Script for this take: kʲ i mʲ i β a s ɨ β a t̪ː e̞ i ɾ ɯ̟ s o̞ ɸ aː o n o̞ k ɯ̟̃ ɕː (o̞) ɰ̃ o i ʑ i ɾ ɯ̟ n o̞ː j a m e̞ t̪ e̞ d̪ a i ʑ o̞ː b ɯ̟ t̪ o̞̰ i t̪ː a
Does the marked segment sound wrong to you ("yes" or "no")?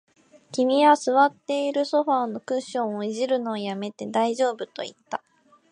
yes